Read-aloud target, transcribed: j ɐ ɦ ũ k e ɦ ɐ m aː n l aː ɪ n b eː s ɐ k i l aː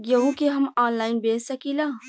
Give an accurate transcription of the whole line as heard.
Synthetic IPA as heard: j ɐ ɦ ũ k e ɦ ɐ m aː n l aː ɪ n b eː s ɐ k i l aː

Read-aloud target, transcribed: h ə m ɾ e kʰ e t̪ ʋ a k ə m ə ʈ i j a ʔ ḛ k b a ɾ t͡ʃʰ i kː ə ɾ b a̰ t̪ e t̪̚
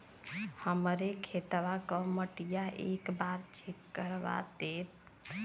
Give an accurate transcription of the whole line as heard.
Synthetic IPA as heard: h ə m ɾ e kʰ e t̪ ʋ a k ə m ə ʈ i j a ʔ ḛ k b a ɾ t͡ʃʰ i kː ə ɾ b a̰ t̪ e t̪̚

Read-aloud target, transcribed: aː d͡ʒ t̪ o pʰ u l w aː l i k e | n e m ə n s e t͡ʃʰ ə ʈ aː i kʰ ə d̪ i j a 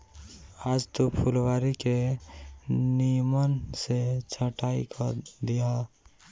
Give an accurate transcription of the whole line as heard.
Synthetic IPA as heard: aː d͡ʒ t̪ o pʰ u l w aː ɾ i k e | n i m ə n s e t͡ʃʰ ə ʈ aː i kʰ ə d̪ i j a

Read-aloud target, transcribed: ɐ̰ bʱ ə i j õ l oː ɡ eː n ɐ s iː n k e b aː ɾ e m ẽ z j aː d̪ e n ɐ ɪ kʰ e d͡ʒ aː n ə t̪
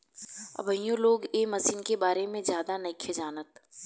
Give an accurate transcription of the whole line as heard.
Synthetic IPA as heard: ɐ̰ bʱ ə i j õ l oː ɡ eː m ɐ s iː n k e b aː ɾ e m ẽ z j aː d̪ a n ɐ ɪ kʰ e d͡ʒ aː n ə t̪

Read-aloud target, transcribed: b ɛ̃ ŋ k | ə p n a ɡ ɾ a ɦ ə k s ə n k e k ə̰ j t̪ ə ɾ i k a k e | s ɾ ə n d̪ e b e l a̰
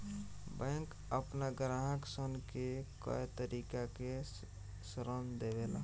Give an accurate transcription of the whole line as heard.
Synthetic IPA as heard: b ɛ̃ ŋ k | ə p n a ɡ ɾ a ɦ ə k s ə n k e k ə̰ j t̪ ə ɾ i k a k e | s ɾ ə n d̪ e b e l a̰

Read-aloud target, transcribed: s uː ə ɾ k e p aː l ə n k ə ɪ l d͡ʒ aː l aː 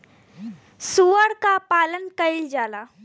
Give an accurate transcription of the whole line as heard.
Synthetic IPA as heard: s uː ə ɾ k a p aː l ə n k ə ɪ l d͡ʒ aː l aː

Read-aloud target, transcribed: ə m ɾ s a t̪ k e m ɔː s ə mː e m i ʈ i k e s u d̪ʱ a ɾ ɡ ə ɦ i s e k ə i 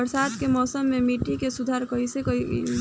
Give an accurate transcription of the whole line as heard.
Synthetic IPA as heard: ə ɾ s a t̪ k e m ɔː s ə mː e m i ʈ i k e s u d̪ʱ a ɾ k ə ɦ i s e k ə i

